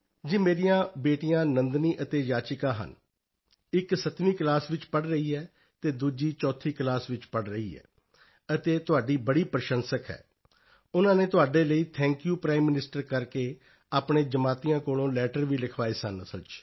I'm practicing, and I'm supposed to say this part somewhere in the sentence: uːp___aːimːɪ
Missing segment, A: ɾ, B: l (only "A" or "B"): A